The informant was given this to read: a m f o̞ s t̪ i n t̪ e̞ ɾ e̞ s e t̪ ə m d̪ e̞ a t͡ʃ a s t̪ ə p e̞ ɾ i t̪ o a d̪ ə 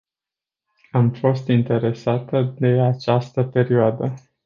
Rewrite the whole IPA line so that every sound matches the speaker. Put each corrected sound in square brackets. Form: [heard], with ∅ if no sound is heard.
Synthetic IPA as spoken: a m f o̞ s t̪ i n t̪ e̞ ɾ e̞ s [a] t̪ ə [∅] d̪ e̞ a t͡ʃ a s t̪ ə p e̞ ɾ i [∅] o a d̪ ə